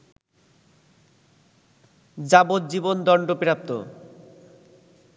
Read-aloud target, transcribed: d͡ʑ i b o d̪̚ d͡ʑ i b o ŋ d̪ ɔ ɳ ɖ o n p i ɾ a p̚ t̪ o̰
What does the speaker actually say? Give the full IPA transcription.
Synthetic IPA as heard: d͡ʑ a b o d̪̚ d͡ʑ i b o n d̪ ɔ ɳ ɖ o p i ɾ a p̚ t̪ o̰